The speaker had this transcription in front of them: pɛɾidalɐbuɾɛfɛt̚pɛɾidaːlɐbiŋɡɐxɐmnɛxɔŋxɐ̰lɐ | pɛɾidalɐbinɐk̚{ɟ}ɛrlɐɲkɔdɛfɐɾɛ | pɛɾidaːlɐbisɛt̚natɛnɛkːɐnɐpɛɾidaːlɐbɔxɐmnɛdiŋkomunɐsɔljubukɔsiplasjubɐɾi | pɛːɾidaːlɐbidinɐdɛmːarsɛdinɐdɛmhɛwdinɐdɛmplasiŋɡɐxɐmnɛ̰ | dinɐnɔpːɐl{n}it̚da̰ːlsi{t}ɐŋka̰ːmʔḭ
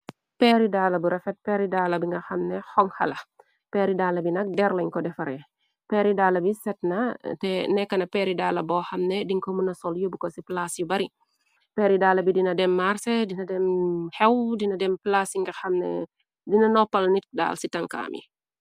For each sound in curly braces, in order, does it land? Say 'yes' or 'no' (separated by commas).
no, yes, yes